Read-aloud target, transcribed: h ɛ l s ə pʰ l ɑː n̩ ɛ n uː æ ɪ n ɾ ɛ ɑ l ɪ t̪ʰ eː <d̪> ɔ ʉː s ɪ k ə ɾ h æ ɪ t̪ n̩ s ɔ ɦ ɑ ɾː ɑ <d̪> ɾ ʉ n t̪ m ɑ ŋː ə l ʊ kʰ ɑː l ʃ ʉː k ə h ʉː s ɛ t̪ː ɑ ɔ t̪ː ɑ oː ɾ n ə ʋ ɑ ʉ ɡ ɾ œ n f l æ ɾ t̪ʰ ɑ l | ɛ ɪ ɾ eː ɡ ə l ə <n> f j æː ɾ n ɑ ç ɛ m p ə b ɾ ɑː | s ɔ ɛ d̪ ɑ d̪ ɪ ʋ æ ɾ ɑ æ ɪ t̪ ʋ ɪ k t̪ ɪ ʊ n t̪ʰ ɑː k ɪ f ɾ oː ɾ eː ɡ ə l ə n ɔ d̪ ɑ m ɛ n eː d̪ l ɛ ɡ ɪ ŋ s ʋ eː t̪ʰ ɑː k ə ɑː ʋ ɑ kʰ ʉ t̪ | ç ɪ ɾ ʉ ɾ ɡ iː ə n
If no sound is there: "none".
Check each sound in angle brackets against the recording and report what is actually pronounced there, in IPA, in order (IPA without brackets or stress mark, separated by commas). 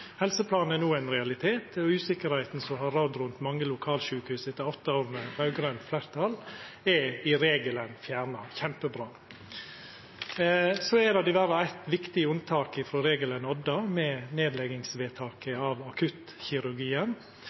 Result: t̪, d̪, n